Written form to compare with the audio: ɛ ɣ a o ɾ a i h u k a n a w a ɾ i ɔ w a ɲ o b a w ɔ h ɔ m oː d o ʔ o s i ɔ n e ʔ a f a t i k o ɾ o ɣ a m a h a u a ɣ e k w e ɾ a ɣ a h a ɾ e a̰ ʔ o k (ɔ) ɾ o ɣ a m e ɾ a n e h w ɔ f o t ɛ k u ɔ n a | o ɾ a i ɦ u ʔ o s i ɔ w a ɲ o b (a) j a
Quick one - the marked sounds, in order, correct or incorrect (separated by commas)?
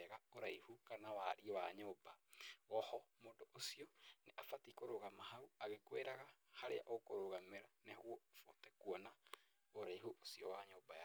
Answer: incorrect, correct